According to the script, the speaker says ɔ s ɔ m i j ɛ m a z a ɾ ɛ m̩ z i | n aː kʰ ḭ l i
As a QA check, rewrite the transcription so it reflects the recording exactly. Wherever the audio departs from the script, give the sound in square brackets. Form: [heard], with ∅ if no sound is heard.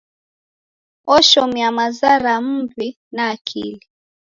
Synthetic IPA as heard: ɔ [ʃ] ɔ m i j [a] m a z a ɾ [a] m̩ [v] i | n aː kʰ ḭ l i